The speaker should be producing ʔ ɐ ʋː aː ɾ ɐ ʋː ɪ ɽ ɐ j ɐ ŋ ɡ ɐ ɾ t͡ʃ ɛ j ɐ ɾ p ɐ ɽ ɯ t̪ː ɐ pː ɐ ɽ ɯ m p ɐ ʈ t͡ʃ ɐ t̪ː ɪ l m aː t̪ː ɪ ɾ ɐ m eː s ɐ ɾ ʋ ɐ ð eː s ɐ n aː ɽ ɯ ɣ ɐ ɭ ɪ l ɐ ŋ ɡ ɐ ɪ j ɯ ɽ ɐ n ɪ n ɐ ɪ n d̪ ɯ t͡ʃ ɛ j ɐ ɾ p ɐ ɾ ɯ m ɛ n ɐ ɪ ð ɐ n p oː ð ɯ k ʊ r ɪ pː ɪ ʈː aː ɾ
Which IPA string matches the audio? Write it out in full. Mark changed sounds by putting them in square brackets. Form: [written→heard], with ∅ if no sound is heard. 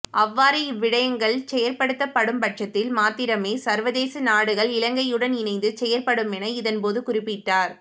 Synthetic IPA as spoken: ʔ ɐ ʋː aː ɾ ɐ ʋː ɪ ɽ ɐ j ɐ ŋ ɡ ɐ [ɾ→ɭ] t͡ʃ ɛ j ɐ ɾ p ɐ ɽ ɯ t̪ː ɐ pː ɐ ɽ ɯ m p ɐ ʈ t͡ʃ ɐ t̪ː ɪ l m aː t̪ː ɪ ɾ ɐ m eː s ɐ ɾ ʋ ɐ ð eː s ɐ n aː ɽ ɯ ɣ ɐ ɭ ɪ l ɐ ŋ ɡ ɐ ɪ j ɯ ɽ ɐ n ɪ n ɐ ɪ n d̪ ɯ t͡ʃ ɛ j ɐ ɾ p ɐ [ɾ→ɽ] ɯ m ɛ n ɐ ɪ ð ɐ n p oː ð ɯ k ʊ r ɪ pː ɪ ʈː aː ɾ

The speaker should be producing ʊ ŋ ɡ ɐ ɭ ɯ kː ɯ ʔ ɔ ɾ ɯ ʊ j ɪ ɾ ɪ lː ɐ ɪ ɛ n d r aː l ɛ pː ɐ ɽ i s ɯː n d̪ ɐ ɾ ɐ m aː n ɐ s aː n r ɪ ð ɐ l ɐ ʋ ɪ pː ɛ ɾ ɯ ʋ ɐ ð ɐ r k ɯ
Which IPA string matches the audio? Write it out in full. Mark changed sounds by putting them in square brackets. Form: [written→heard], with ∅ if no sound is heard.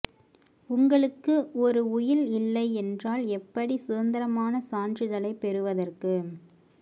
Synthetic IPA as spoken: ʊ ŋ ɡ ɐ ɭ ɯ kː ɯ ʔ ɔ ɾ ɯ ʊ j ɪ [ɾ→l] ɪ lː ɐ ɪ ɛ n d r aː l ɛ pː ɐ ɽ i s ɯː n d̪ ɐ ɾ ɐ m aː n ɐ s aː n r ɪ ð ɐ l ɐ [ʋ→∅] ɪ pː ɛ ɾ ɯ ʋ ɐ ð ɐ r k ɯ

